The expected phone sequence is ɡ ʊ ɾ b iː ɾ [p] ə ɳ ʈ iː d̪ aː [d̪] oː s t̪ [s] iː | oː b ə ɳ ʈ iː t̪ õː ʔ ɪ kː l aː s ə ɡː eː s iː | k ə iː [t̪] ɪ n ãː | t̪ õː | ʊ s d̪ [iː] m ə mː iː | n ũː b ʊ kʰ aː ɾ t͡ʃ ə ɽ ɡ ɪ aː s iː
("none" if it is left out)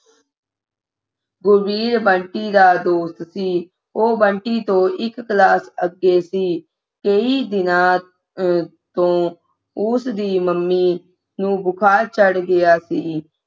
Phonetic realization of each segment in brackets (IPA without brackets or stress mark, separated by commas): b, d̪, s, d̪, iː